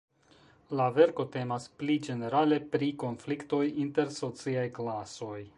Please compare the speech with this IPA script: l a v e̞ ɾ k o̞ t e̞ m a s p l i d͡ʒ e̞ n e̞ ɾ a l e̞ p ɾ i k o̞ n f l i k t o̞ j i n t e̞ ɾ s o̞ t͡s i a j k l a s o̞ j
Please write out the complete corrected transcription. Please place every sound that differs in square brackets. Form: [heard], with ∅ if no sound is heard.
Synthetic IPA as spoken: l a v e̞ ɾ k o̞ t e̞ m a s p l i d͡ʒ e̞ n e̞ ɾ a l e̞ p ɾ i k o̞ n f l i k t o̞ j i n t e̞ ɾ s o̞ t͡s i a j k l a s o̞ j